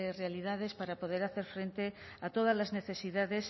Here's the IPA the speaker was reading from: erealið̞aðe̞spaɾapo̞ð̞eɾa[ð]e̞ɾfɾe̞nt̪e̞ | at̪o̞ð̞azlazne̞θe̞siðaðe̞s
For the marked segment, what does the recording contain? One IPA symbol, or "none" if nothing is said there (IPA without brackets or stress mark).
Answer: θ